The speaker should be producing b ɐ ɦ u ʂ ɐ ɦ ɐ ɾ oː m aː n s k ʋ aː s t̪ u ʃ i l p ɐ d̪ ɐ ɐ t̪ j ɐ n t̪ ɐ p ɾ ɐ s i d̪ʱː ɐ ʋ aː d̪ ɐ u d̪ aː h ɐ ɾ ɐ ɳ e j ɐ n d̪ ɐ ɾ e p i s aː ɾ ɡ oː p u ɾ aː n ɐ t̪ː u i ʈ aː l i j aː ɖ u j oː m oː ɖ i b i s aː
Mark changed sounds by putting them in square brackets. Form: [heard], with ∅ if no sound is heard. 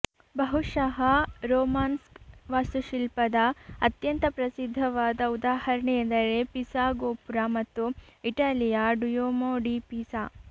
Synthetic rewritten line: b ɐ ɦ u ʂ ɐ ɦ ɐ ɾ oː m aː n s k ʋ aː s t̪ u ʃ i l p ɐ d̪ ɐ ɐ t̪ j ɐ n t̪ ɐ p ɾ ɐ s i d̪ʱː ɐ ʋ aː d̪ ɐ u d̪ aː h ɐ ɾ ɐ ɳ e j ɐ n d̪ ɐ ɾ e p i s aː [∅] ɡ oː p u ɾ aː [m] ɐ t̪ː u i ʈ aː l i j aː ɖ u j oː m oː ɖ i [p] i s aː